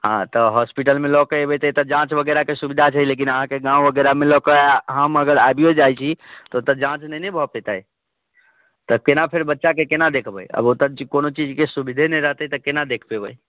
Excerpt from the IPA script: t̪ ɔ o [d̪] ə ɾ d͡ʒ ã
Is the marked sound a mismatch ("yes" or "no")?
yes